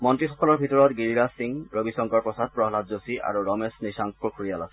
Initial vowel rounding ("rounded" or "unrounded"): rounded